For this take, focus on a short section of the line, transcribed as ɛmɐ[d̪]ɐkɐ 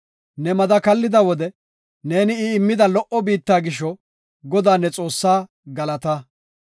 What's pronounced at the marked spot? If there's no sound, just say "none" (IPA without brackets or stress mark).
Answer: d̪